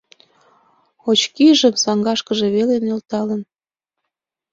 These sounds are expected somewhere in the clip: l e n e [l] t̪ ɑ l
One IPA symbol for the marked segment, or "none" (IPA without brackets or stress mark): l